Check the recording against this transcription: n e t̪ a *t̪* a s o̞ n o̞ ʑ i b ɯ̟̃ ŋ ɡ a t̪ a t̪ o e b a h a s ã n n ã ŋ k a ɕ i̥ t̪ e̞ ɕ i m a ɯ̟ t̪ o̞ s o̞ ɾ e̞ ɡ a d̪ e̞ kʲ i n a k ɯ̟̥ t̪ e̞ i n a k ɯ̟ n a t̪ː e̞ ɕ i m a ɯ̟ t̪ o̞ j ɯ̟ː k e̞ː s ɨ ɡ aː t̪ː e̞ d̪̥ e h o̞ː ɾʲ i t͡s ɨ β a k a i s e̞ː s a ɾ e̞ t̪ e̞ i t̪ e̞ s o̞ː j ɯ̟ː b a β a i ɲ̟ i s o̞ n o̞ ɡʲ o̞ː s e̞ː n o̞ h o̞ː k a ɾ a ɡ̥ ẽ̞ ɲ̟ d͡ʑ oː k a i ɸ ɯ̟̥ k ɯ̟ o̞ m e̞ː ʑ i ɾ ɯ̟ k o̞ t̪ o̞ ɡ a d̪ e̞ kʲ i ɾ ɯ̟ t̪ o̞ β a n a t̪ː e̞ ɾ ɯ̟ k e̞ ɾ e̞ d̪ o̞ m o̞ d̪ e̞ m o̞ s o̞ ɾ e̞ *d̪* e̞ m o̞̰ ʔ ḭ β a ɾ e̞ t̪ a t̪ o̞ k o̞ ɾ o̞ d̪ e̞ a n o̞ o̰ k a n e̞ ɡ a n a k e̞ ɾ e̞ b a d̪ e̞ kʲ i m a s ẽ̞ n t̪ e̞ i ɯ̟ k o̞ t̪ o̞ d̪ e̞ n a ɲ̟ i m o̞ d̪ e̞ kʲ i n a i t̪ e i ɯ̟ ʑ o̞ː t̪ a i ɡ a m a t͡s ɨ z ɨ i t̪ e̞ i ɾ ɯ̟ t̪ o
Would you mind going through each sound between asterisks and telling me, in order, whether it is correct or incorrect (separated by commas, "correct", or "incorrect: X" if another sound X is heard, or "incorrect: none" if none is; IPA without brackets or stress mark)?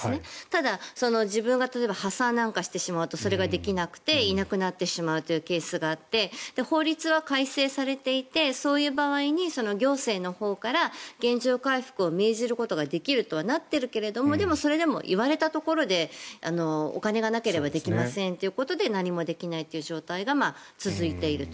incorrect: d̪, correct